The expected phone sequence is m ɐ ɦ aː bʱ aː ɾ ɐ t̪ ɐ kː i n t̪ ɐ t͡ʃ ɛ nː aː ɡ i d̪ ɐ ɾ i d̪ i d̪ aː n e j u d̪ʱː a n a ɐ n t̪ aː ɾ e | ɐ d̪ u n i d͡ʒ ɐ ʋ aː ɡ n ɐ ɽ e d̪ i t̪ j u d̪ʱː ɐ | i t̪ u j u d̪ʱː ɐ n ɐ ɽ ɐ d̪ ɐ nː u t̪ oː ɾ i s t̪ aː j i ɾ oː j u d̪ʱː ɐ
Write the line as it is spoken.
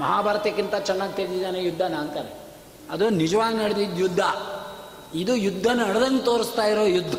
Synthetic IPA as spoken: m ɐ ɦ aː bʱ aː ɾ ɐ t̪ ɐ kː i n t̪ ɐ t͡ʃ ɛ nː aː ɡ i t̪ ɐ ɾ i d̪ i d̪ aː n e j u d̪ʱː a n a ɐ n t̪ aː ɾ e | ɐ d̪ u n i d͡ʒ ɐ ʋ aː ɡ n ɐ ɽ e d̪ i d̪ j u d̪ʱː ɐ | i d̪ u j u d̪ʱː ɐ n ɐ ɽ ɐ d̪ ɐ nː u t̪ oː ɾ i s t̪ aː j i ɾ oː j u d̪ʱː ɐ